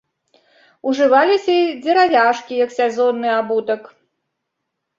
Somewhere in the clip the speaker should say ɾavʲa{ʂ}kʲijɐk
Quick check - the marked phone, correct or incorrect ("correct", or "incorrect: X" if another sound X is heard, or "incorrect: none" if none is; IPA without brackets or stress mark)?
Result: correct